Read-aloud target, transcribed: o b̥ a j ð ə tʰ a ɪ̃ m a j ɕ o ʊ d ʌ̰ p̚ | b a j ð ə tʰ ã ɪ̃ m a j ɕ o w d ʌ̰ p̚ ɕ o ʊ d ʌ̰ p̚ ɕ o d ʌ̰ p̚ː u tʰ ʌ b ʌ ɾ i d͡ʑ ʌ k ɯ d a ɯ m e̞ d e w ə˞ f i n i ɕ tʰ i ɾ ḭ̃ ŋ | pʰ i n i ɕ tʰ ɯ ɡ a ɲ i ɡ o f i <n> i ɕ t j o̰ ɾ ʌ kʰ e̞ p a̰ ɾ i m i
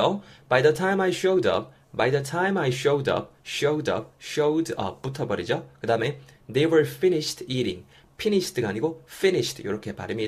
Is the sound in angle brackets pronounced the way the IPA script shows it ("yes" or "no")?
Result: yes